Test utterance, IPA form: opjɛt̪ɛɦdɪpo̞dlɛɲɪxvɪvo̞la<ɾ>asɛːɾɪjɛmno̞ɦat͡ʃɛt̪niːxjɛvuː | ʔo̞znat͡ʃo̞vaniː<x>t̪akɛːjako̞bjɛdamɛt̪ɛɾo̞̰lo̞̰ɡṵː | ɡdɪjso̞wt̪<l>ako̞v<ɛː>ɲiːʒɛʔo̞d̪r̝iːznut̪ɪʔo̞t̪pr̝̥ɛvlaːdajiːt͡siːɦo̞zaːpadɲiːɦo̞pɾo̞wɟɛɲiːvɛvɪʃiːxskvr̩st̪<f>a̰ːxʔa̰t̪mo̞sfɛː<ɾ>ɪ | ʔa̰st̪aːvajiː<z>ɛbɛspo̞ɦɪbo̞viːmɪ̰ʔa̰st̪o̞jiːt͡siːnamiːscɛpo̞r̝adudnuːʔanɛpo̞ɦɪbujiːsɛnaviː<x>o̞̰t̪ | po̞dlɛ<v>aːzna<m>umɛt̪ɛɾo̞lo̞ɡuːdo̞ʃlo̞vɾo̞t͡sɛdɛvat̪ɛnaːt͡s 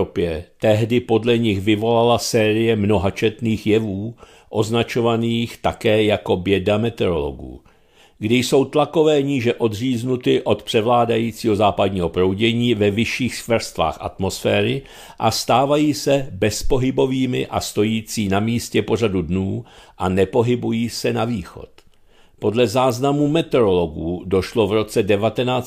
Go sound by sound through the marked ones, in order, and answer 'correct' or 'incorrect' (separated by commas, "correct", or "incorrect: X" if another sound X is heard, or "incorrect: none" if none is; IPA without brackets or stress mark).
incorrect: l, correct, correct, correct, incorrect: v, correct, incorrect: s, correct, incorrect: z, correct